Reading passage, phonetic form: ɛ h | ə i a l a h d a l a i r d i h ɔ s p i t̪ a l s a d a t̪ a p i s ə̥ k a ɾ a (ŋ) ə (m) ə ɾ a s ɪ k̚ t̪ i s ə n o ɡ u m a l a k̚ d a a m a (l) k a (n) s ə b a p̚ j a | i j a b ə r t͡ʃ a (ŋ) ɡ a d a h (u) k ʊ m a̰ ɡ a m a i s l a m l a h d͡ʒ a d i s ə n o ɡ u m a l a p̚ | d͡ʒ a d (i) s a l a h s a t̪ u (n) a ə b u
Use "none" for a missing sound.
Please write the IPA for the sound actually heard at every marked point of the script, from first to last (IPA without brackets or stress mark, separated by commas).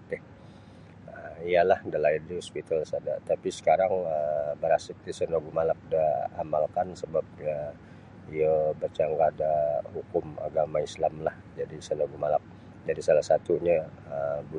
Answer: ŋ, b, l, n, ŋ, u, i, ɲ